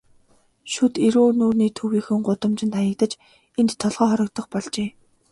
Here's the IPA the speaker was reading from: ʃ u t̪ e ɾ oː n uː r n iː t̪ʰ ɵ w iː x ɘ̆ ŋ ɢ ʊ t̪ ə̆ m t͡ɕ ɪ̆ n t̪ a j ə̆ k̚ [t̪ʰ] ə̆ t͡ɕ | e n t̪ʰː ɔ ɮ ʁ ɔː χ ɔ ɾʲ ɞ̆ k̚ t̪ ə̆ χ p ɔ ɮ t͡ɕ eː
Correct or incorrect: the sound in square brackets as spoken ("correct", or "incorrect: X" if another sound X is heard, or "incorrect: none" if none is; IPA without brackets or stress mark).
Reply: incorrect: t̪